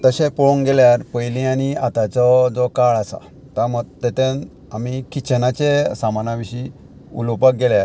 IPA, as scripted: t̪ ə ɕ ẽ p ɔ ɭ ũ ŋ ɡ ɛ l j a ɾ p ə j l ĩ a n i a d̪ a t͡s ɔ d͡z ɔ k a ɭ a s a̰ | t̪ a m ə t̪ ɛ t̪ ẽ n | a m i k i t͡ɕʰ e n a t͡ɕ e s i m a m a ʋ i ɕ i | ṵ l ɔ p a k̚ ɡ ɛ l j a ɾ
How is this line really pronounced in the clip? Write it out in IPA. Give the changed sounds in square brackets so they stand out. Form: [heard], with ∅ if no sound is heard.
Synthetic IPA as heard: t̪ ə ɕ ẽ p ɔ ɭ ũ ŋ ɡ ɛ l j a ɾ p ə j l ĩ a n i a [t̪] a t͡s ɔ d͡z ɔ k a ɭ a s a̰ | t̪ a m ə t̪ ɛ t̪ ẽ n | a m i k i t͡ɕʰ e n a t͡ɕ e s [a] m a [n] a ʋ i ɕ i | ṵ l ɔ p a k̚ ɡ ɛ l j a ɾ